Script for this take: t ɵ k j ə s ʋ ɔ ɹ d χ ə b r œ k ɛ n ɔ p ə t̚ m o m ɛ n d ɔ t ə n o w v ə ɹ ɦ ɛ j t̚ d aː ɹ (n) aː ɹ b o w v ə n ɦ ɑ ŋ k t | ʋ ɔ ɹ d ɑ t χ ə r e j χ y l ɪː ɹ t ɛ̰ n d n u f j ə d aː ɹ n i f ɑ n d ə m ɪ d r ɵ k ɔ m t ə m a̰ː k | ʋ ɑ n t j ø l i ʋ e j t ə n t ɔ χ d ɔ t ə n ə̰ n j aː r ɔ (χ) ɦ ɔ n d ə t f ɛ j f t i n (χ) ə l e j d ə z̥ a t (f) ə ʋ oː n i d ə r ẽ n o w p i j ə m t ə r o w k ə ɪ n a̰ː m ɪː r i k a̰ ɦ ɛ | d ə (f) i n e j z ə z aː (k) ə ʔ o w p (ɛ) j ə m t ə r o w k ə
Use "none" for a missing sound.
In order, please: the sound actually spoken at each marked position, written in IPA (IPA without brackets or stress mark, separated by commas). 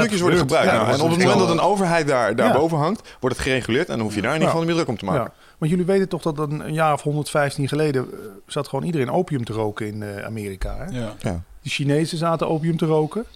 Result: d, f, χ, χ, ʃ, t, i